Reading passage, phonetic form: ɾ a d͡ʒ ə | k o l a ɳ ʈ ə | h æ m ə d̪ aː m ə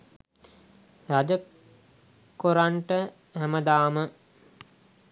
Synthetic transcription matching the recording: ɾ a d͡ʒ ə | k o ɾ a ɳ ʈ ə | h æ m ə d̪ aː m ə